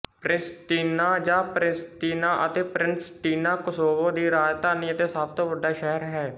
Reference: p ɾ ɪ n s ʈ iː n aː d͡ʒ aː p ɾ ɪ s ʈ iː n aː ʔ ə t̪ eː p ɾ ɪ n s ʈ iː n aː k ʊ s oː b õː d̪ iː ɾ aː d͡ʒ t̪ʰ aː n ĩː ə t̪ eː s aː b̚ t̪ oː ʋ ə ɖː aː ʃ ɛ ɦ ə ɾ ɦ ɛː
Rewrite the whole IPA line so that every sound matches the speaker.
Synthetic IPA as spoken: p ɾ ɪ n s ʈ iː n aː d͡ʒ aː p ɾ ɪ s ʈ iː n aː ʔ ə t̪ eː p ɾ ɪ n s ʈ iː n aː k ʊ s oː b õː d̪ iː ɾ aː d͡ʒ t̪ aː n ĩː ə t̪ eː s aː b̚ t̪ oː ʋ ə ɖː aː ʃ ɛ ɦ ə ɾ ɦ ɛː

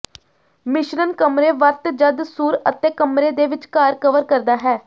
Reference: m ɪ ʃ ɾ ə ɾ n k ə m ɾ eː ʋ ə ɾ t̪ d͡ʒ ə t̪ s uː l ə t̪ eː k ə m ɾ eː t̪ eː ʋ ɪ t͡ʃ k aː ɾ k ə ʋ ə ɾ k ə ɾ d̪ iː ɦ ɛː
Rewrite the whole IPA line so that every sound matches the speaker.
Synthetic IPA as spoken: m ɪ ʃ ɾ ə n k ə m ɾ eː ʋ ə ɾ t̪ d͡ʒ ə d̪ s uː ɾ ə t̪ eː k ə m ɾ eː d̪ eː ʋ ɪ t͡ʃ k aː ɾ k ə ʋ ə ɾ k ə ɾ d̪ aː ɦ ɛː

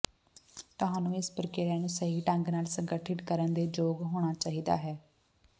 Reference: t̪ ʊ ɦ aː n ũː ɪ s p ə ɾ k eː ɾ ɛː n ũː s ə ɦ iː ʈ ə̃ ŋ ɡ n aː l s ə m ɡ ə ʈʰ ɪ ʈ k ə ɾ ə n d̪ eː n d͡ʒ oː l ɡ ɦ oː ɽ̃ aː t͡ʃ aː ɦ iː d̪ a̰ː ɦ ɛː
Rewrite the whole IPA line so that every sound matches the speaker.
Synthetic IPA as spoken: t̪ ʊ ɦ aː n ũː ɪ s p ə ɾ k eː ɾ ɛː n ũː s ə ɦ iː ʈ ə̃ ŋ ɡ n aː l s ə ŋ ɡ ə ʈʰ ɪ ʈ k ə ɾ ə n d̪ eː d͡ʒ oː ɡ ɦ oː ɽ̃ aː t͡ʃ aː ɦ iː d̪ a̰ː ɦ ɛː

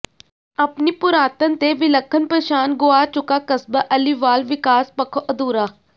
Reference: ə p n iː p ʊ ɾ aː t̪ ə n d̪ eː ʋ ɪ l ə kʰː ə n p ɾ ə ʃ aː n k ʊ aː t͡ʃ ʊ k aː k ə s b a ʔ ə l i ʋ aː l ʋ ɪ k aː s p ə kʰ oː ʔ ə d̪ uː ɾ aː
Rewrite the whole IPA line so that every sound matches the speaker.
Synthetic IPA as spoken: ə p n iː p ʊ ɾ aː t̪ ə n t̪ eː ʋ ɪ l ə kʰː ə n p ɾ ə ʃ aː n ɡ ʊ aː t͡ʃ ʊ k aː k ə s b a ʔ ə l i ʋ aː l ʋ ɪ k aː s p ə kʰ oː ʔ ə d̪ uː ɾ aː

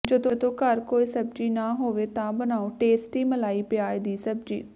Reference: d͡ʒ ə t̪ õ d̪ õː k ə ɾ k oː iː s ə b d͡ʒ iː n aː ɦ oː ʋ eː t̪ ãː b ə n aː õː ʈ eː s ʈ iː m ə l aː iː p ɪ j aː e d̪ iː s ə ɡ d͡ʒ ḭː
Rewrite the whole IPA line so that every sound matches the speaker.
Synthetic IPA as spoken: d͡ʒ ə d̪ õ d̪ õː k ə ɾ k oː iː s ə b d͡ʒ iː n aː ɦ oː ʋ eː t̪ ãː b ə n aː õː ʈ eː s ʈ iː m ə l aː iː p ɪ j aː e d̪ iː s ə b d͡ʒ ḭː

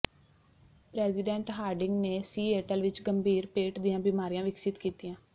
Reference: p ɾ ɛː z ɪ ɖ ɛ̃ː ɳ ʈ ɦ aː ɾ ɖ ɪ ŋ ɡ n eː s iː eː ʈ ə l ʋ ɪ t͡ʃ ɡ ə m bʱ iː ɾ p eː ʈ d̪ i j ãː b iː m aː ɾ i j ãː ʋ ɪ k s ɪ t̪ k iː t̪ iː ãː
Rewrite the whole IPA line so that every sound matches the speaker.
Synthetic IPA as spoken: p ɾ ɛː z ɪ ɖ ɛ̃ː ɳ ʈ ɦ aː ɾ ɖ ɪ ŋ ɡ n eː s iː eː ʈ ə l ʋ ɪ t͡ʃ ɡ ə m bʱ iː ɾ p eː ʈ d̪ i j ãː b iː m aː ɾ i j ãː ʋ ɪ k s ɪ t̪ k iː t̪ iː ãː

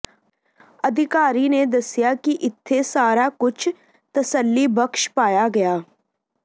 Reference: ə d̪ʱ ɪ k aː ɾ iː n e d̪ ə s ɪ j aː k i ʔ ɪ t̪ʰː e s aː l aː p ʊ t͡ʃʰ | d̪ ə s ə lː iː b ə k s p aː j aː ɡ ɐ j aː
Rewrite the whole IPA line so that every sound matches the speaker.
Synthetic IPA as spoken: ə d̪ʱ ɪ k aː ɾ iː n e d̪ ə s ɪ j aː k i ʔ ɪ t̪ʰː e s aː ɾ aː k ʊ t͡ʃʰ | t̪ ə s ə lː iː b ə k ʃ p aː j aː ɡ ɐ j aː

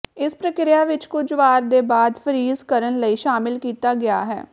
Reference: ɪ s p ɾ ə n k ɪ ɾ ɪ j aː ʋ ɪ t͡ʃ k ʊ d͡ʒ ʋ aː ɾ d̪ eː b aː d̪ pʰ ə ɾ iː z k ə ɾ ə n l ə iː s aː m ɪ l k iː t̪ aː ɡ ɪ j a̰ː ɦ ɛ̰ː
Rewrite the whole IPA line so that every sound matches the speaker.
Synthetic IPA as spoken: ɪ s p ɾ ə k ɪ ɾ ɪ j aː ʋ ɪ t͡ʃ k ʊ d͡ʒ ʋ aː ɾ d̪ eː b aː d̪ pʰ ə ɾ iː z k ə ɾ ə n l ə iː ʃ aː m ɪ l k iː t̪ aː ɡ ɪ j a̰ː ɦ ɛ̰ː

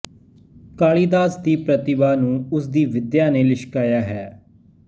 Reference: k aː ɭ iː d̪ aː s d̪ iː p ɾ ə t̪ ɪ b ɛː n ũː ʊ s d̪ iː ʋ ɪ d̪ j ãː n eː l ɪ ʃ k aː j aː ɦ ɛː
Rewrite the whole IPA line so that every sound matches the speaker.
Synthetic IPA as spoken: k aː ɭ iː d̪ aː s d̪ iː p ɾ ə t̪ ɪ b aː n ũː ʊ s d̪ iː ʋ ɪ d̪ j aː n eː l ɪ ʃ k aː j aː ɦ ɛː

